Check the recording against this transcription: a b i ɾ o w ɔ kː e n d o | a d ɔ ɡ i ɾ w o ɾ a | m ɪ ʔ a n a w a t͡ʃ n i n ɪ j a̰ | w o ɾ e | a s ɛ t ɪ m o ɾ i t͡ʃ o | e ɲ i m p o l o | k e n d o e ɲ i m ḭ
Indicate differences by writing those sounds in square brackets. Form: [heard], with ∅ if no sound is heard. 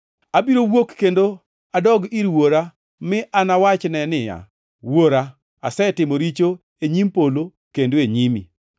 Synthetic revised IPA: a b i ɾ o w [o] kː e n d o | a d ɔ ɡ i ɾ w o ɾ a | m ɪ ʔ a n a w a t͡ʃ n [ɛ] n ɪ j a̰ | w o ɾ [a] | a s ɛ t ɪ m o ɾ i t͡ʃ o | e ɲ i m p o l o | k e n d o e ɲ i m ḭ